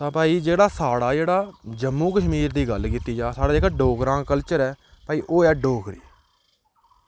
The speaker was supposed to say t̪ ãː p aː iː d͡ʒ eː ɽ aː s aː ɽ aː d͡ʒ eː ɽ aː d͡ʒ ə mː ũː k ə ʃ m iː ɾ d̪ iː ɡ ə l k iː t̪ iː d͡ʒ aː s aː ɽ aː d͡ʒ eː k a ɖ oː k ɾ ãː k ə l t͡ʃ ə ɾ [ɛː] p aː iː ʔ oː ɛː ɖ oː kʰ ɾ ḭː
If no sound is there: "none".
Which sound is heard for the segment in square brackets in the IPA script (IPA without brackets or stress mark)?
ɛː